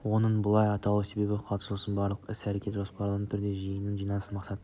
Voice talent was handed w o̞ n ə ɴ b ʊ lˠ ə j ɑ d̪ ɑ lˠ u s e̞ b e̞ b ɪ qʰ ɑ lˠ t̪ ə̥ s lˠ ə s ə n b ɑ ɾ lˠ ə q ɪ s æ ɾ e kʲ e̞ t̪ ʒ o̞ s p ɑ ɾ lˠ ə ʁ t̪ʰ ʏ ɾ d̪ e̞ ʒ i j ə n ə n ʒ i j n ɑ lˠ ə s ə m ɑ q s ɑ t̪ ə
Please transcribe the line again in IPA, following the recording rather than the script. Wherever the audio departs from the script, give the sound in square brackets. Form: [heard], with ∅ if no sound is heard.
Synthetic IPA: w o̞ n ə ɴ b ʊ lˠ [ɑ] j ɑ [t̪] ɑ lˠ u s e̞ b e̞ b ɪ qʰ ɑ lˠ t̪ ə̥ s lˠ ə s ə n b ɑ ɾ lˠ ə q ɪ s æ ɾ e kʲ e̞ t̪ ʒ o̞ s p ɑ ɾ lˠ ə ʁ t̪ʰ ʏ ɾ d̪ e̞ ʒ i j ə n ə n ʒ i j n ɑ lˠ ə s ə m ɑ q s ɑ t̪ ə